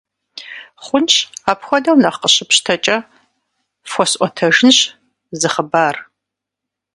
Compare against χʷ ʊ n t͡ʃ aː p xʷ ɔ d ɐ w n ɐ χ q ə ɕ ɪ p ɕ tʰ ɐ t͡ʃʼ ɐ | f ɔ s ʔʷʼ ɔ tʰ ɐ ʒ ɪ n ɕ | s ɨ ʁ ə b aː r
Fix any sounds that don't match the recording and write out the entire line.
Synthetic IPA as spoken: χʷ ʊ n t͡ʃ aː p xʷ ɔ d ɐ w n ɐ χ q ə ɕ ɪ p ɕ tʰ ɐ t͡ʃʼ ɐ | f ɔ s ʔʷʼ ɔ tʰ ɐ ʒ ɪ n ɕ | z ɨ χ ə b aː r